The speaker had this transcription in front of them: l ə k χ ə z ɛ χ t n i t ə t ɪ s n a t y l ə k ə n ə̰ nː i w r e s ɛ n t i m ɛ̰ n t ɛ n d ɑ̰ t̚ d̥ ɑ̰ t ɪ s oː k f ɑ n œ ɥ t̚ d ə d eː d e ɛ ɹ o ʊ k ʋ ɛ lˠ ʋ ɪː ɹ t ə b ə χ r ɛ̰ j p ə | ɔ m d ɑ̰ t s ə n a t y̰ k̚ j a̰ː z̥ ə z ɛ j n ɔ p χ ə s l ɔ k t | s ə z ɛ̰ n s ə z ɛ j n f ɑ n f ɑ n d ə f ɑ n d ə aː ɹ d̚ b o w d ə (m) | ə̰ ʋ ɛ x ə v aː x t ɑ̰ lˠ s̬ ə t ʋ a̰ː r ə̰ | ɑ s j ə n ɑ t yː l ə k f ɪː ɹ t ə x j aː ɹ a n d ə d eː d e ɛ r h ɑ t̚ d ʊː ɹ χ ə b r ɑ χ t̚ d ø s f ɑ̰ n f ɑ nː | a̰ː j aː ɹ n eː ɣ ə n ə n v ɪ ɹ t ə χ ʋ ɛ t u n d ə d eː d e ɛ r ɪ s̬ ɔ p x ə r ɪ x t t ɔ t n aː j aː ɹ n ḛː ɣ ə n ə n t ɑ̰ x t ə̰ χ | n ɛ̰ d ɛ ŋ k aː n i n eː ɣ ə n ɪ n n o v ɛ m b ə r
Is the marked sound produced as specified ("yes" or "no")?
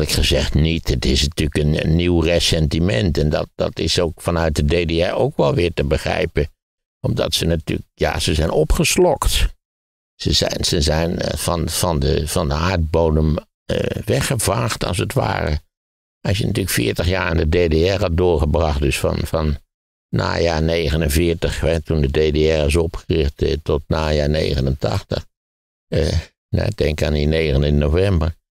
yes